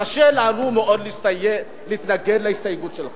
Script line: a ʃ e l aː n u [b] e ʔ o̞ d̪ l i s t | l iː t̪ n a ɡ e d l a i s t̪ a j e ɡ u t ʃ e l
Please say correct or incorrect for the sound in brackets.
incorrect